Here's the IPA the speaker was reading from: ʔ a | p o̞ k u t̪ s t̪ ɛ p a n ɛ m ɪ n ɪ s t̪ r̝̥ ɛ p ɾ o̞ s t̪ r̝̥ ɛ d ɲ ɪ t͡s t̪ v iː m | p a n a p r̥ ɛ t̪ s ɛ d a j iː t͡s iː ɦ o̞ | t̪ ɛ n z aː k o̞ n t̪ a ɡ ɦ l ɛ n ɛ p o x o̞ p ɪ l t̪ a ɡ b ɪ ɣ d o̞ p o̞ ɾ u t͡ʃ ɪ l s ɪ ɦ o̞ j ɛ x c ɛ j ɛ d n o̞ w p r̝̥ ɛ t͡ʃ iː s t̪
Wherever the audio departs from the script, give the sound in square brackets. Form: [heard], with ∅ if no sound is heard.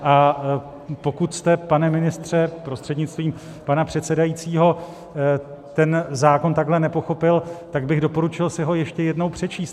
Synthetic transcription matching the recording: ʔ a | p o̞ k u t̪ s t̪ ɛ p a n ɛ m ɪ n ɪ s t̪ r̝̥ ɛ p ɾ o̞ s t̪ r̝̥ ɛ d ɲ ɪ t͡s t̪ v iː m | p a n a p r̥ ɛ t̪ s ɛ d a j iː t͡s iː ɦ o̞ | t̪ ɛ n z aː k o̞ n t̪ a ɡ ɦ l ɛ n ɛ p o x o̞ p ɪ l t̪ a ɡ b ɪ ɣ d o̞ p o̞ ɾ u t͡ʃ ɪ l s ɪ ɦ o̞ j ɛ [ʃ] c ɛ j ɛ d n o̞ w p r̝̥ ɛ t͡ʃ iː s t̪